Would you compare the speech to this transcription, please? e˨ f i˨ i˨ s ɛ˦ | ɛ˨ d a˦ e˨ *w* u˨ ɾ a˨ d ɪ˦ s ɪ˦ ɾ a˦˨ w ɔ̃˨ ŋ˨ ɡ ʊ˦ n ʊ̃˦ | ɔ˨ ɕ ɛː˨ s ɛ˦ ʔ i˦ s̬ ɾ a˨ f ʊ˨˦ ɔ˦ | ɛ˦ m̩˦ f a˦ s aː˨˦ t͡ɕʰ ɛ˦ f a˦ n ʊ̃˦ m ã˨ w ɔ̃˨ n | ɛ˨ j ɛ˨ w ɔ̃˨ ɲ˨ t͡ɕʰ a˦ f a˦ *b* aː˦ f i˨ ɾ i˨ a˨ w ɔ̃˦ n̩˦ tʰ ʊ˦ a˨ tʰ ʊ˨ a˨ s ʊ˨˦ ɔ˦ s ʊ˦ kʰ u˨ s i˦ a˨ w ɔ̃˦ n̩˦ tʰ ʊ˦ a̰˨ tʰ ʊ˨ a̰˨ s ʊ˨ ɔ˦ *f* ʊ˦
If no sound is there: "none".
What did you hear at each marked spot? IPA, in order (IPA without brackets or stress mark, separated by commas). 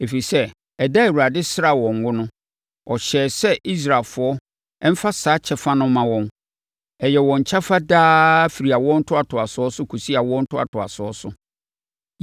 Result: w, d, s